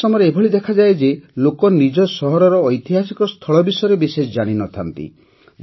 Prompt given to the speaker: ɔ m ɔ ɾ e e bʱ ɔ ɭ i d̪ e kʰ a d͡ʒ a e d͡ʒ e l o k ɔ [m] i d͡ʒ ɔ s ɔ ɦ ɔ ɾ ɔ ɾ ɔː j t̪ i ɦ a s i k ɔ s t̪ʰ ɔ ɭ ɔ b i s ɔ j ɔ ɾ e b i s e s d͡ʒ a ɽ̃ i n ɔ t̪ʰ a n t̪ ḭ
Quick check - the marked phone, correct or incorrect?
incorrect